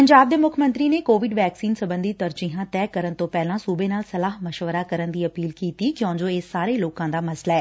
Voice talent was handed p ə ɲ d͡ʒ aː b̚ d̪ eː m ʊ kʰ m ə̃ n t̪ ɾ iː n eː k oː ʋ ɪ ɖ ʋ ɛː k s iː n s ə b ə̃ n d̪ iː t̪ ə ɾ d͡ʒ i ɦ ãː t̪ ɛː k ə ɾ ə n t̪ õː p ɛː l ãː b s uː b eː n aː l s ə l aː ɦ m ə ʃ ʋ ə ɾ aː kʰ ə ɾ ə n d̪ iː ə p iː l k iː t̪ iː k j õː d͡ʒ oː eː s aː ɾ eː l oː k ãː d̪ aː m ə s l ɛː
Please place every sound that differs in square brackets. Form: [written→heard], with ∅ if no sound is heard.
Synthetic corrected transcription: p ə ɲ d͡ʒ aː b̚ d̪ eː m ʊ kʰ m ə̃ n t̪ ɾ iː n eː k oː ʋ ɪ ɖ ʋ ɛː k s iː n s ə b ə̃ n d̪ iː t̪ ə ɾ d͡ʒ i ɦ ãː t̪ ɛː k ə ɾ ə n t̪ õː p ɛː l ãː [b→∅] s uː b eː n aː l s ə l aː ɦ m ə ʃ ʋ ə ɾ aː [kʰ→k] ə ɾ ə n d̪ iː ə p iː l k iː t̪ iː k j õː d͡ʒ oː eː s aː ɾ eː l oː k ãː d̪ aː m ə s l ɛː